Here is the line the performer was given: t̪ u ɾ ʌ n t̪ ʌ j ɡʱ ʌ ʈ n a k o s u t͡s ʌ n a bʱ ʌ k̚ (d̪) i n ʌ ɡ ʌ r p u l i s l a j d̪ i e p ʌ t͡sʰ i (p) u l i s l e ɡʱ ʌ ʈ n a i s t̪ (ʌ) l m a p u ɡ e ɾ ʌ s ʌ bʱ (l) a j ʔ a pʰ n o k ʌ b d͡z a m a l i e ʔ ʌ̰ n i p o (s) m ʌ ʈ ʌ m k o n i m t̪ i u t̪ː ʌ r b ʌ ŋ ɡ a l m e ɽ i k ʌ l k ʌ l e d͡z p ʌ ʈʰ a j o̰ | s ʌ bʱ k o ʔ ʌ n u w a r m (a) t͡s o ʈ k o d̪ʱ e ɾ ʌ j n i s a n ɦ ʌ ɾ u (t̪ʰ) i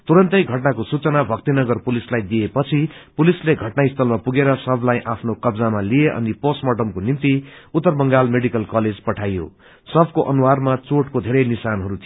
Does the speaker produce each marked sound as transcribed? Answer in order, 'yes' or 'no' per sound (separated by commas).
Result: no, yes, yes, yes, yes, yes, yes